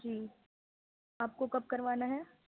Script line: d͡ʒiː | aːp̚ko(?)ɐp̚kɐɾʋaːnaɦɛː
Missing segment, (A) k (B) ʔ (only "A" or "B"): A